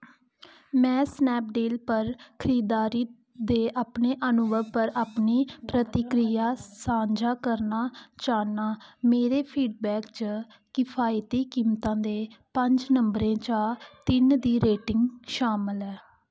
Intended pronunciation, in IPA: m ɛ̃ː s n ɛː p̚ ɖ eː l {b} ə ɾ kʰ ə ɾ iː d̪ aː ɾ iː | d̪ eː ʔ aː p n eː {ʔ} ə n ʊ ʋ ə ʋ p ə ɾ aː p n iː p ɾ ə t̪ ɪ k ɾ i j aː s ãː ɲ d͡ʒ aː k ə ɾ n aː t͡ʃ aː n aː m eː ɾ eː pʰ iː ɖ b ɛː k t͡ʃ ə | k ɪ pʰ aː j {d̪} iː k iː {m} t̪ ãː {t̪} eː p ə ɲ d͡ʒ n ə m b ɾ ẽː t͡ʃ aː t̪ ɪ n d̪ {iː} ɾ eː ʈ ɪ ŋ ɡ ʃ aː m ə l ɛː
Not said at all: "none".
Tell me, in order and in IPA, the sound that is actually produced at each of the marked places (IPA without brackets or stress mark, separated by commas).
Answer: p, ʔ, t̪, m, d̪, iː